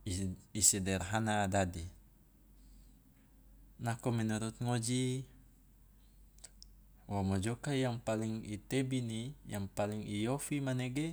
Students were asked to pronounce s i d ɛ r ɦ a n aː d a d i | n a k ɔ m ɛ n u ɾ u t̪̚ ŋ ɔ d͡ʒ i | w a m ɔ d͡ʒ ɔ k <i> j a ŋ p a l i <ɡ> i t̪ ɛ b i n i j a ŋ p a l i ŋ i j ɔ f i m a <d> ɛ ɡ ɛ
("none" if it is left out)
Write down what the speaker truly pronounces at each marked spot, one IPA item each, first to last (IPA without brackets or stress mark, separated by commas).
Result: a, ŋ, n